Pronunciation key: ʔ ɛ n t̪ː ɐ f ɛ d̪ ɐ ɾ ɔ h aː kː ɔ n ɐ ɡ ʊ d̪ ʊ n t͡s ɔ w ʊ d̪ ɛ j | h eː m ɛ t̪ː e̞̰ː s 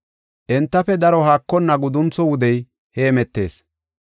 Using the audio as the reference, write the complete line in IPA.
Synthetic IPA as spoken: ʔ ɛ n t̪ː ɐ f ɛ d̪ ɐ ɾ ɔ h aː kː ɔ nː ɐ ɡ ʊ d̪ ʊ n t͡s ɔ w ʊ d̪ ɛ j | h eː m ɛ t̪ː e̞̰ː s

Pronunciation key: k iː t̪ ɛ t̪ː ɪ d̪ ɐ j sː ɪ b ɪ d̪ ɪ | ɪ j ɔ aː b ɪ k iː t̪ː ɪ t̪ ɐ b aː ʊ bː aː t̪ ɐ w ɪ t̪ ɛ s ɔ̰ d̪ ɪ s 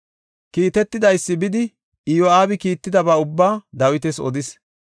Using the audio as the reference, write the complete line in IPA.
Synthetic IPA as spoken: k iː t̪ ɛ t̪ː ɪ d̪ ɐ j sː ɪ b ɪ d̪ ɪ | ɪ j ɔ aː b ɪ k iː t̪ː ɪ d̪ ɐ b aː ʊ bː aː d̪ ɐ w ɪ t̪ ɛ s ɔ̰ d̪ ɪ s

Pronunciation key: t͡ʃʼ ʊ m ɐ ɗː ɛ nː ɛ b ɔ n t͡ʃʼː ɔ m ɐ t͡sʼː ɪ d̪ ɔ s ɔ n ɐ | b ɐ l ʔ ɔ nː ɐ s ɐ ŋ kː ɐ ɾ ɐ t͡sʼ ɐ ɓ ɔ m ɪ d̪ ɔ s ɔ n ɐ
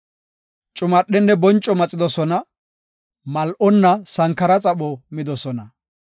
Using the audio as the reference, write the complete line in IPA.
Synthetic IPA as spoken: t͡ʃʼ ʊ m ɐ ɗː ɛ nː ɛ b ɔ n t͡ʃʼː ɔ m ɐ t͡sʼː ɪ d̪ ɔ s ɔ n ɐ | m ɐ l ʔ ɔ nː ɐ s ɐ ŋ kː ɐ ɾ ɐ t͡sʼ ɐ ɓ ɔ m ɪ d̪ ɔ s ɔ n ɐ

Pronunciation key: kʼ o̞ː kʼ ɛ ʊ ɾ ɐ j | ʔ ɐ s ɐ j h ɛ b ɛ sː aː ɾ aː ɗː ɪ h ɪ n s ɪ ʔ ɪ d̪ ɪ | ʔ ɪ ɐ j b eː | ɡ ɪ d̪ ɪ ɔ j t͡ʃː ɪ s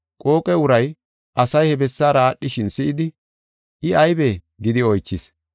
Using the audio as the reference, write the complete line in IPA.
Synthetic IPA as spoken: kʼ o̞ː kʼ ɛ ʊ ɾ ɐ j | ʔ ɐ s ɐ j h ɛ b ɛ sː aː ɾ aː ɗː ɪ ʃ ɪ n s ɪ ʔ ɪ d̪ ɪ | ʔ ɪ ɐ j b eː | ɡ ɪ d̪ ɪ ɔ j t͡ʃː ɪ s

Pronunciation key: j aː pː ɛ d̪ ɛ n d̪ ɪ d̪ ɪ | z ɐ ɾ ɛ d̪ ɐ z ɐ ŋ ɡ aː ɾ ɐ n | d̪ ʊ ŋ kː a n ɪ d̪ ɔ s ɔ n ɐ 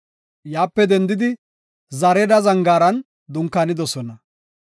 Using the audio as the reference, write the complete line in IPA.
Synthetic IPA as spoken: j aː pː ɛ d̪ ɛ n d̪ ɪ d̪ ɪ | z ɐ ɾ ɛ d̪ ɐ z ɐ ŋ ɡ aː ɾ ɐ n | d̪ ʊ ŋ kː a n ɪ d̪ ɔ s ɔ n ɐ

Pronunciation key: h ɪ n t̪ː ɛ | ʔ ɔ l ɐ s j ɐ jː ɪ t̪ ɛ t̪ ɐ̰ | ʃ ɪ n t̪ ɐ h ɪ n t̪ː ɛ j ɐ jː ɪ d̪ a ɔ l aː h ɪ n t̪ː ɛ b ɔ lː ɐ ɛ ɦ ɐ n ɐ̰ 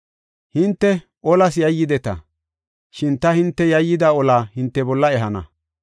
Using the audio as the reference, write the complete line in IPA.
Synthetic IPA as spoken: h ɪ n t̪ː ɛ | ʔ ɔ l ɐ s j ɐ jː ɪ d̪ ɛ t̪ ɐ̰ | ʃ ɪ n t̪ ɐ h ɪ n t̪ː ɛ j ɐ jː ɪ d̪ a ɔ l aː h ɪ n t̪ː ɛ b ɔ lː ɐ ɛ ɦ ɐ n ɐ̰

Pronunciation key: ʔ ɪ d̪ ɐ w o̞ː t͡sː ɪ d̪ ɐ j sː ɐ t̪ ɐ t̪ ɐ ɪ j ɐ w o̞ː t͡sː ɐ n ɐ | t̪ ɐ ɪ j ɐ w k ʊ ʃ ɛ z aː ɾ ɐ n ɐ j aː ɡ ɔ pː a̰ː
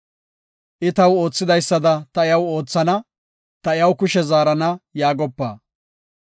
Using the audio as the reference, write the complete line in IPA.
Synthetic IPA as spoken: ʔ ɪ t̪ ɐ w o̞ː t͡sː ɪ d̪ ɐ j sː ɐ d̪ ɐ t̪ ɐ ɪ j ɐ w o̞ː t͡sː ɐ n ɐ | t̪ ɐ ɪ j ɐ w k ʊ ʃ ɛ z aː ɾ ɐ n ɐ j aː ɡ ɔ pː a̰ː

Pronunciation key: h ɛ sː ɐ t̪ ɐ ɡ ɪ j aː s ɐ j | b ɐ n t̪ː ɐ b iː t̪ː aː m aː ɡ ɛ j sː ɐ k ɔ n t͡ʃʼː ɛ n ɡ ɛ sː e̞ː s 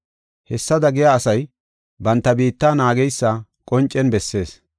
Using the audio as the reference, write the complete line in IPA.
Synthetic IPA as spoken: h ɛ sː ɐ d̪ ɐ ɡ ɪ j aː s ɐ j | b ɐ n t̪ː ɐ b iː t̪ː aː n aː ɡ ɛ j sː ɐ kʼ ɔ n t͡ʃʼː ɛ n b ɛ sː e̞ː s

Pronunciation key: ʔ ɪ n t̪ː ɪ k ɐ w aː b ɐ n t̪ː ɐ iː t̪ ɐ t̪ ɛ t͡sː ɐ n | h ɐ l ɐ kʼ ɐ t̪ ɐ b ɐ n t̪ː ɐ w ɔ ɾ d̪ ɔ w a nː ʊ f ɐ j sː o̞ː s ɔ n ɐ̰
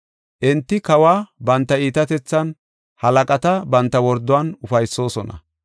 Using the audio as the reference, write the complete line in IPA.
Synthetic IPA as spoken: ʔ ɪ n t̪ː ɪ k ɐ w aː b ɐ n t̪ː ɐ iː t̪ ɐ t̪ ɛ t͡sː ɐ n | h ɐ l ɐ kʼ ɐ t̪ ɐ b ɐ n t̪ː ɐ w ɔ ɾ d̪ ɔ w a n ʊ f ɐ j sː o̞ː s ɔ n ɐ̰

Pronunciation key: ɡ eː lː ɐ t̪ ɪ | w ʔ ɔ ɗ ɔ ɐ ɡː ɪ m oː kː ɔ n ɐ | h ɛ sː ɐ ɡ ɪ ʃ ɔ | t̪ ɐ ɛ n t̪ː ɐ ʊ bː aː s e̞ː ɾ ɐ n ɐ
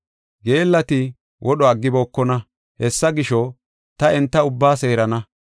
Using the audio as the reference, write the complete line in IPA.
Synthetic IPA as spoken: ɡ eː lː ɐ t̪ ɪ | w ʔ ɔ ɗ ɔ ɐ ɡː ɪ b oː kː ɔ n ɐ | h ɛ sː ɐ ɡ ɪ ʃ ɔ | t̪ ɐ ɛ n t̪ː ɐ ʊ bː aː s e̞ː ɾ ɐ n ɐ

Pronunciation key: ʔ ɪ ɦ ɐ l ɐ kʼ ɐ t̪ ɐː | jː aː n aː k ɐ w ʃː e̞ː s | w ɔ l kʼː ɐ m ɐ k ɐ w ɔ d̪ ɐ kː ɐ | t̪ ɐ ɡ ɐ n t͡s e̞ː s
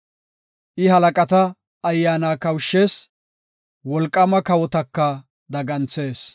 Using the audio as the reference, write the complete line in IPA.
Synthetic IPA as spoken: ʔ ɪ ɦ ɐ l ɐ kʼ ɐ t̪ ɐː | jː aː n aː k ɐ w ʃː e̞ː s | w ɔ l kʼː ɐ m ɐ k ɐ w ɔ t̪ ɐ kː ɐ | d̪ ɐ ɡ ɐ n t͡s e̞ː s

